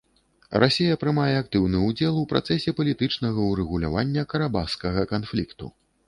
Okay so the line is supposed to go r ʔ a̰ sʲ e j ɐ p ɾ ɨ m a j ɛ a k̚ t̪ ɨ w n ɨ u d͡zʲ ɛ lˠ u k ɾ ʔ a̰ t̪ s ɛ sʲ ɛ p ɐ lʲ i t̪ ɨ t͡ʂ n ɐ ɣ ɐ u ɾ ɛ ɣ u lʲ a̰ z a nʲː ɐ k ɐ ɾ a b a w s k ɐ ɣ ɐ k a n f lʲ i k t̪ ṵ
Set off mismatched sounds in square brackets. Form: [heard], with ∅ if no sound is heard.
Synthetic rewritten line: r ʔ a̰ sʲ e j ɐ p ɾ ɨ m a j ɛ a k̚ t̪ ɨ w n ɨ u d͡zʲ ɛ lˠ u [p] ɾ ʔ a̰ t̪ s ɛ sʲ ɛ p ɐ lʲ i t̪ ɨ t͡ʂ n ɐ ɣ ɐ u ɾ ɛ ɣ u lʲ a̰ [v] a nʲː ɐ k ɐ ɾ a b a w s k ɐ ɣ ɐ k a n f lʲ i k t̪ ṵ